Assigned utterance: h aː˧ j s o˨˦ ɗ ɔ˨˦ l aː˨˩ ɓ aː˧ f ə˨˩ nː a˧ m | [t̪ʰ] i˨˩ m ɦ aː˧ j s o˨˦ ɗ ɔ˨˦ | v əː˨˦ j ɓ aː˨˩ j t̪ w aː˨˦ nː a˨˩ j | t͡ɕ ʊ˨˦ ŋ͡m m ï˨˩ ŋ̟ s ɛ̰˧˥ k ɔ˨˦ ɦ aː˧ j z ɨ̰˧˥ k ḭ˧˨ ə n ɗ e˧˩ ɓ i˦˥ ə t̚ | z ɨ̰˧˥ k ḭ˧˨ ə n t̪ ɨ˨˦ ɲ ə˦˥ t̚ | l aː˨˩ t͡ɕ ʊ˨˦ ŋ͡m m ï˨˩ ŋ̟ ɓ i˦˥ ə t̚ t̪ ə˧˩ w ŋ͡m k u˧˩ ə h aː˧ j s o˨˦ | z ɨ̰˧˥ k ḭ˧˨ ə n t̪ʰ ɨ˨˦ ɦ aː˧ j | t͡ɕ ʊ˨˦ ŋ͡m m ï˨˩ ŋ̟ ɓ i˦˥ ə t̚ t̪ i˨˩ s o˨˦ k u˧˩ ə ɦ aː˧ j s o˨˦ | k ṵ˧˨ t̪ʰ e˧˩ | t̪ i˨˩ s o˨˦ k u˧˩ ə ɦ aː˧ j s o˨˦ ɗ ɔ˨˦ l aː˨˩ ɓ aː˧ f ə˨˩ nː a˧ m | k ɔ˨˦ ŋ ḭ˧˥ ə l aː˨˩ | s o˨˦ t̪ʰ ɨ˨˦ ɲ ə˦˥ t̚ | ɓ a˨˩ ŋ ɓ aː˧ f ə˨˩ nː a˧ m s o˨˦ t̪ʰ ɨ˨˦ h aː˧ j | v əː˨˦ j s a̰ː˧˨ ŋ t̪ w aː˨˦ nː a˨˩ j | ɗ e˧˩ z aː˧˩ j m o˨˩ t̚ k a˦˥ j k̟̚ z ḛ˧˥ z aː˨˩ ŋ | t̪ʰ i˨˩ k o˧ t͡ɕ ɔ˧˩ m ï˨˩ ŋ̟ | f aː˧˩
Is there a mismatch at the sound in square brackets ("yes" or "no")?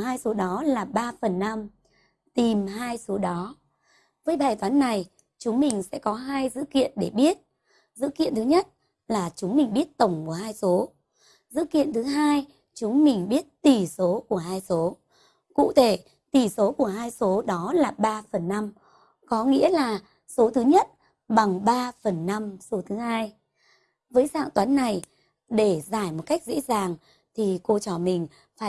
yes